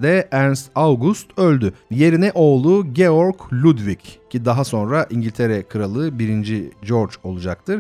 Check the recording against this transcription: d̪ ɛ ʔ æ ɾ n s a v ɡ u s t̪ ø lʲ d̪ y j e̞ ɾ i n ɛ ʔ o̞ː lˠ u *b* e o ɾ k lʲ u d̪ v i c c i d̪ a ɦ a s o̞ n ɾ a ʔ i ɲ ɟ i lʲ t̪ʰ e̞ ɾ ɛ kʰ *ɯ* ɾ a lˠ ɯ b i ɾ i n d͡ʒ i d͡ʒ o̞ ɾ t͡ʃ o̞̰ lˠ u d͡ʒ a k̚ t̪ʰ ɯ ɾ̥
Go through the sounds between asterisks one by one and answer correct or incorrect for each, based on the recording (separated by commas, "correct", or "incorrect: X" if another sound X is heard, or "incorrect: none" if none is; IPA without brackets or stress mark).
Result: incorrect: ɟ, correct